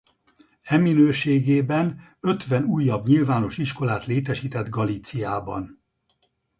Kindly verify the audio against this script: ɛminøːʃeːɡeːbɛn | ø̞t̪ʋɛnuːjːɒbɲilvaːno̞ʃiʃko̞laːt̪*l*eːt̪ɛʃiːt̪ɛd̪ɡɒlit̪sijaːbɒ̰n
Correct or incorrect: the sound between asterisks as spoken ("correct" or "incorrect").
correct